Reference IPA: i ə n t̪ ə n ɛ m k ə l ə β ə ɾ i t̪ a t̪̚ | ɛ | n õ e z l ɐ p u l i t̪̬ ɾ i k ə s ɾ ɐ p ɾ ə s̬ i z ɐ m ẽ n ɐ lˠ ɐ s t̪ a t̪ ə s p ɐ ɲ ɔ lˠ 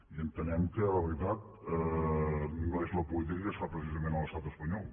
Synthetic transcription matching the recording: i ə n t̪ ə n ɛ m k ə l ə β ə ɾ i t̪ a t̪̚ | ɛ | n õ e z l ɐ p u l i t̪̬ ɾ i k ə s ɾ a p ɾ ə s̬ i z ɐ m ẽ n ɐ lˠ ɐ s t̪ a t̪ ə s p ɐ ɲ ɔ lˠ